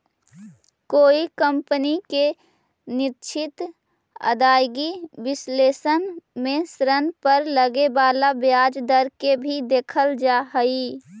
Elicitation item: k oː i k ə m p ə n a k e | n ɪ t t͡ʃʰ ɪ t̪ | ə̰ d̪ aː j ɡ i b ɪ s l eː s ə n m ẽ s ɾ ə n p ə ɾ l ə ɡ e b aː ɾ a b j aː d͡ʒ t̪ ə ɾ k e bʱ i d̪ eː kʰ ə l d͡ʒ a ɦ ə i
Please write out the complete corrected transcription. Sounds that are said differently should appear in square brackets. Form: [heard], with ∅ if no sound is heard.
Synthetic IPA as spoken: k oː i k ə m p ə n [i] k e | n ɪ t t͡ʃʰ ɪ t̪ | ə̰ d̪ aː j ɡ i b ɪ s l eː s ə n m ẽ s ɾ ə n p ə ɾ l ə ɡ e b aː [l] a b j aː d͡ʒ [d̪] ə ɾ k e bʱ i d̪ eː kʰ ə l d͡ʒ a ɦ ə i